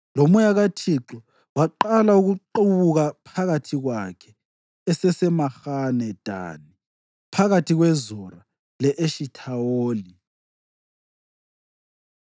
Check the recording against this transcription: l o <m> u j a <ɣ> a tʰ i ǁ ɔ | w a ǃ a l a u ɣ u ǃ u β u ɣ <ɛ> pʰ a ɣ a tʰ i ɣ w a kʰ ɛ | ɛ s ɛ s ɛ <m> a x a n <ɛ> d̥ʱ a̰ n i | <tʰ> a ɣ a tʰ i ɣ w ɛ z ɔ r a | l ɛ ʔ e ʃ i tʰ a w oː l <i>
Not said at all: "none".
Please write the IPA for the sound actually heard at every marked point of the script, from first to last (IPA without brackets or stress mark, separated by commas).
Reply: m, ɣ, a, m, ɛ, pʰ, i